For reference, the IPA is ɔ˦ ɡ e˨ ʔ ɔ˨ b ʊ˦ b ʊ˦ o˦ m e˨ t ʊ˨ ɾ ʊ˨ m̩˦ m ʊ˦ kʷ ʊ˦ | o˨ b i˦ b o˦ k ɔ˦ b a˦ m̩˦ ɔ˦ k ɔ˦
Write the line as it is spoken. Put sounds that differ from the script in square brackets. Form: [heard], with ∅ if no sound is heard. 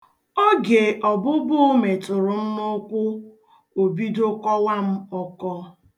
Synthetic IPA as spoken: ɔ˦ ɡ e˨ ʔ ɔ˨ b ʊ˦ b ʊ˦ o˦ m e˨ t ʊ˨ ɾ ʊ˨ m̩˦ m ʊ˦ kʷ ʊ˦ | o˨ b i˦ [d] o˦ k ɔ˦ [w] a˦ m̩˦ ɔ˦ k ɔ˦